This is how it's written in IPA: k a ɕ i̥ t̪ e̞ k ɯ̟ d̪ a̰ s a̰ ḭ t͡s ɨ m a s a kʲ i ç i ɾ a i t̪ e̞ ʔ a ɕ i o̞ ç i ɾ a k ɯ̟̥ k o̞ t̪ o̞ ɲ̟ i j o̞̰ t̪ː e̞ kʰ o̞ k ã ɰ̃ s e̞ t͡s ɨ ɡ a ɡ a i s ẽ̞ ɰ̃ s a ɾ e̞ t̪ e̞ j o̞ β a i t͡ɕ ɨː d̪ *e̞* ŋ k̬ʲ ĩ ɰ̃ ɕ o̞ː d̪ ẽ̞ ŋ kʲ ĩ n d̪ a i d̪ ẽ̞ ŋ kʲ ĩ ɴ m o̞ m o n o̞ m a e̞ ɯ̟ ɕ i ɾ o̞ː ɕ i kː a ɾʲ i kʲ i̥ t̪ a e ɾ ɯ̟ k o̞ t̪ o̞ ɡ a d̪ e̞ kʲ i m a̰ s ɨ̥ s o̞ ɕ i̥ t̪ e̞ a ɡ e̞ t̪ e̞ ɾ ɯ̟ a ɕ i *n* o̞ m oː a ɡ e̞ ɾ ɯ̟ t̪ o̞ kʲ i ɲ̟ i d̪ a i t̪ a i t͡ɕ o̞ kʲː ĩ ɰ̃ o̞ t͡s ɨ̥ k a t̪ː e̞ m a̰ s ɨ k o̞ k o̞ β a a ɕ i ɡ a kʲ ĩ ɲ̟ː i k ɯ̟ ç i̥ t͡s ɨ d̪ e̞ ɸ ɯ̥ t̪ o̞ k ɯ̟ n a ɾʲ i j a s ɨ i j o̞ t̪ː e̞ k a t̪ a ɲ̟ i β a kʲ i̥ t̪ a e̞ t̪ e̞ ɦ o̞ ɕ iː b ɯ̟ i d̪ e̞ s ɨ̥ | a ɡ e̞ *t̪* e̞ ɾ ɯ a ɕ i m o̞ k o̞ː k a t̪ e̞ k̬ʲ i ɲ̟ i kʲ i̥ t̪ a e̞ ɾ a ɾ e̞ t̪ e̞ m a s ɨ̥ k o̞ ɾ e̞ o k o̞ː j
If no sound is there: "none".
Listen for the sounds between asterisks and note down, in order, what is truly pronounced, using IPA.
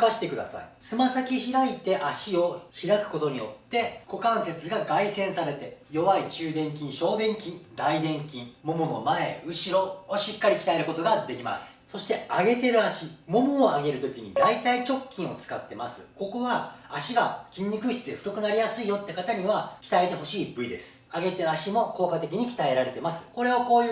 ẽ̞, m, t̪

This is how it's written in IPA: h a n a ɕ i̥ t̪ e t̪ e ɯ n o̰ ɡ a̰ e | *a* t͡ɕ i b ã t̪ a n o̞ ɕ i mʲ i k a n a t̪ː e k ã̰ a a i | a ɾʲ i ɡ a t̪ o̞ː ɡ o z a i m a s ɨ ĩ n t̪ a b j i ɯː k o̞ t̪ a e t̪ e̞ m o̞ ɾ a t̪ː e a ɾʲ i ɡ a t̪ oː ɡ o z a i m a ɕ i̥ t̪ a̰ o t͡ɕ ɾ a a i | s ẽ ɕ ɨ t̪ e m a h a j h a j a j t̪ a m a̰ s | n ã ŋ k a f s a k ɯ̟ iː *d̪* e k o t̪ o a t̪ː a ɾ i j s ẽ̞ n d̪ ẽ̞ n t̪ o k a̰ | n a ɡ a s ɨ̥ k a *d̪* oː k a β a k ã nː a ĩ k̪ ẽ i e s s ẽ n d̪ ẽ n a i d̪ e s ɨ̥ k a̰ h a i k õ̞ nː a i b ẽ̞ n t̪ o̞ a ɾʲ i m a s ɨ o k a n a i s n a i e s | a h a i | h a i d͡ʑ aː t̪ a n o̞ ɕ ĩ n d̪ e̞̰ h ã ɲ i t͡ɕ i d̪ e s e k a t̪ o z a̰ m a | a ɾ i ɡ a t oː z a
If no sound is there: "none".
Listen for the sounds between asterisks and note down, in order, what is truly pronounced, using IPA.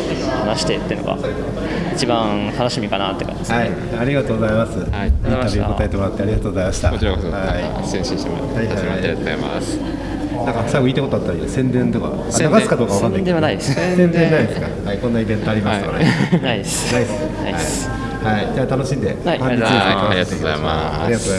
i, t̪, d̪

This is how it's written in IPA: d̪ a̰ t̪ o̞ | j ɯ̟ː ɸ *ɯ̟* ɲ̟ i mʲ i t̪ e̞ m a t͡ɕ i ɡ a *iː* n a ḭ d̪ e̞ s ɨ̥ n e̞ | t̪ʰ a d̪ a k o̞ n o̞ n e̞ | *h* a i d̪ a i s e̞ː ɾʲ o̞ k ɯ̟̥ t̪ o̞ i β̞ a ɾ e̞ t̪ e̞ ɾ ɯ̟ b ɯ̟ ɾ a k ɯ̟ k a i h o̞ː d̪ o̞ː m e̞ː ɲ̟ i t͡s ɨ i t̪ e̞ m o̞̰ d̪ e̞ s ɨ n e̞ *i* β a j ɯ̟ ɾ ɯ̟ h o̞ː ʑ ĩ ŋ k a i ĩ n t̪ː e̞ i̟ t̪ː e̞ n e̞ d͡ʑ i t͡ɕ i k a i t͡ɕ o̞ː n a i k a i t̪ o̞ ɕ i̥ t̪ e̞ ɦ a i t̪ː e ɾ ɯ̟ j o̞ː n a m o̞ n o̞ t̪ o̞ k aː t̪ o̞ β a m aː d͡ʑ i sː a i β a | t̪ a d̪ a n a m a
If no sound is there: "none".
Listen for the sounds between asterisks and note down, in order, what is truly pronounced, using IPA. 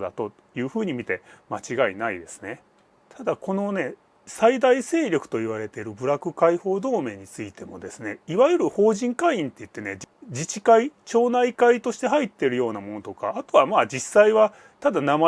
ɯ̟ː, i, s, i

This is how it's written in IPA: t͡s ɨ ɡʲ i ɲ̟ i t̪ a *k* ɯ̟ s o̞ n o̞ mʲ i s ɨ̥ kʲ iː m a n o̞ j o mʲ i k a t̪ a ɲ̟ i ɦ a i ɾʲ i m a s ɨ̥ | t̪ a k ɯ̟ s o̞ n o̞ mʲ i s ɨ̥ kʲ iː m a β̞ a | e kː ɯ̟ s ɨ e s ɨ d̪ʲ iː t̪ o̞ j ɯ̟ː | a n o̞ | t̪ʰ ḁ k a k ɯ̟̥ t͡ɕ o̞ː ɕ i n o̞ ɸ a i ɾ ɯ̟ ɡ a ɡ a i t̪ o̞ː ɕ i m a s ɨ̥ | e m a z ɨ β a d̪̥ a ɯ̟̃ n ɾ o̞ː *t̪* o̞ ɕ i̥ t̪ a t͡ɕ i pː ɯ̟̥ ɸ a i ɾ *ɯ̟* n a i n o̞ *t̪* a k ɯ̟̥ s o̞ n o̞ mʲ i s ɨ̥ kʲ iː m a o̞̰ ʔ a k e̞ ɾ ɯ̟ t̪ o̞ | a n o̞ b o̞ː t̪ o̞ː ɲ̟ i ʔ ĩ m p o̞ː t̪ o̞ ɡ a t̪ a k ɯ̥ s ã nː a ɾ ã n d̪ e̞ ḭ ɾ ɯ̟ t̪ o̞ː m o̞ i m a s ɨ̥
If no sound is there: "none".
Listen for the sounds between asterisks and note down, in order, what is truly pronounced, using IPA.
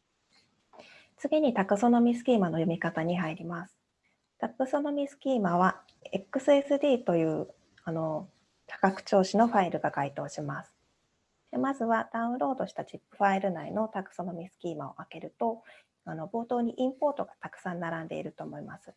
k, d̪, ɯ̟, t̪

